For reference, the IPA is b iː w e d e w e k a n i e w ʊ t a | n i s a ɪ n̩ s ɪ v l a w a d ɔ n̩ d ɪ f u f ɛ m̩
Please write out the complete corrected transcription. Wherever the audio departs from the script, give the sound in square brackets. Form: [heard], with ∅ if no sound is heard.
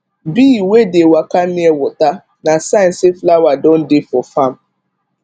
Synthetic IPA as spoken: b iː w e d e w [a] k a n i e w ʊ t a | n [a] s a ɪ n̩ s ɪ [f] l a w a d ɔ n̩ d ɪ f [ɔ] f [a] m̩